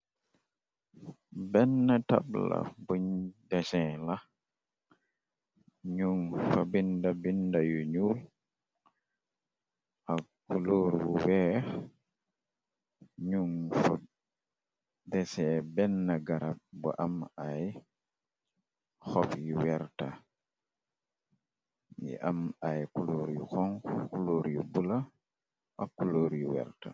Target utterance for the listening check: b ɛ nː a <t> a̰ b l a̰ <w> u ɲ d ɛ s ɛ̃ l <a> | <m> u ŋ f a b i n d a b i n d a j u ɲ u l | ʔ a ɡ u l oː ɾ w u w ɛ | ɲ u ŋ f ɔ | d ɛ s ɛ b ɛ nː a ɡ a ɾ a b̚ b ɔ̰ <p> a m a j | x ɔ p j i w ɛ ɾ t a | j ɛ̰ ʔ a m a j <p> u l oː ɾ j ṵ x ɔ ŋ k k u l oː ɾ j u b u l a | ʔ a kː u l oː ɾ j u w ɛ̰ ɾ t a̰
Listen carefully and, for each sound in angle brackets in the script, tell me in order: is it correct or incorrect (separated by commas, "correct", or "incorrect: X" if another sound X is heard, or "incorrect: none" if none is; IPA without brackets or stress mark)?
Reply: correct, incorrect: b, correct, incorrect: ɲ, incorrect: ʔ, incorrect: k